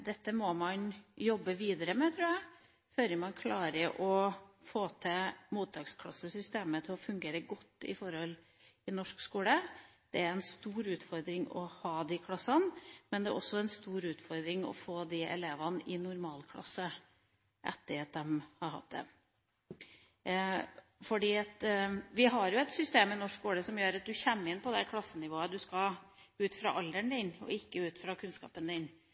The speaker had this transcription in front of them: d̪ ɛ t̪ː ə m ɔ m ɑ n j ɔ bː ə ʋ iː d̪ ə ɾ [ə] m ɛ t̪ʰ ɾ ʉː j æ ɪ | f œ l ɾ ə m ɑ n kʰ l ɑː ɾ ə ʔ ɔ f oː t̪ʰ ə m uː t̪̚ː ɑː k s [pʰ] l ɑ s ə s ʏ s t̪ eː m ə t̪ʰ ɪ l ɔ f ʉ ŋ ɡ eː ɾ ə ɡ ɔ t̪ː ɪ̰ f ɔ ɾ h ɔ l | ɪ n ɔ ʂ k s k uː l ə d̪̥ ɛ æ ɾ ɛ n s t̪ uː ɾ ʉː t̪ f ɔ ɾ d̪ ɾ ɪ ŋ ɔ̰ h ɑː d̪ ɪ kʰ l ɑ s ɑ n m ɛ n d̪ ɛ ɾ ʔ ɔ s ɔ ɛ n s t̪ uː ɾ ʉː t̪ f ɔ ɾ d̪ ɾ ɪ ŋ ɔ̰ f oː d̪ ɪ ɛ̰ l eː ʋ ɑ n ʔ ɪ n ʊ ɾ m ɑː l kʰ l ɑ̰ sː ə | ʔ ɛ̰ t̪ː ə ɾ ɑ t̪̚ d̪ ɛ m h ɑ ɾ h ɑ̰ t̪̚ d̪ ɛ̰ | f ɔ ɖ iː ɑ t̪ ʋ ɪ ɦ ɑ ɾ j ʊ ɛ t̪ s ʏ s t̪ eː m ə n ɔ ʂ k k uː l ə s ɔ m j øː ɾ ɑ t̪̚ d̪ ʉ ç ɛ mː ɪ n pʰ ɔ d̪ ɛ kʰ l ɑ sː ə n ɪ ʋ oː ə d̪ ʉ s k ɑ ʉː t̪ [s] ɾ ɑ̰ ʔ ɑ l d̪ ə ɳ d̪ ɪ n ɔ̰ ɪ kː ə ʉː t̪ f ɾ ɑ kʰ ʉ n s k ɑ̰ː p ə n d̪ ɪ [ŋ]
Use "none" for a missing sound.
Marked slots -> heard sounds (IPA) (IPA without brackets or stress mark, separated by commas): ə, kʰ, f, n